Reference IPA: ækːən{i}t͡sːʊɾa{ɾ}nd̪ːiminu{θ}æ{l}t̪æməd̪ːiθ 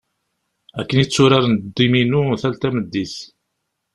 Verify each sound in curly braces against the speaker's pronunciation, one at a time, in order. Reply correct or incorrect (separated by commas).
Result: correct, correct, correct, correct